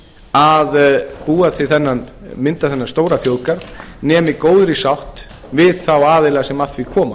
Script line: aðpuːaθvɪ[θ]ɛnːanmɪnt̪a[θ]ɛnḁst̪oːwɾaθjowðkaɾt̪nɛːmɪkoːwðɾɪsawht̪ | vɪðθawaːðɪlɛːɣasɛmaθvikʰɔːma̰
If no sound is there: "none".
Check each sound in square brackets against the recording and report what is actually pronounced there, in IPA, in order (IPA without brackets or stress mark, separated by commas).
θ, θ